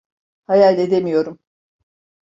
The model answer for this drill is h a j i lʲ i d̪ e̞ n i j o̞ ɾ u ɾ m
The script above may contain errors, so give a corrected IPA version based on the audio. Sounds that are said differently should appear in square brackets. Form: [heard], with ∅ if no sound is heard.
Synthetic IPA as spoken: h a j [a] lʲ [e] d̪ e̞ [m] i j o̞ ɾ u [∅] m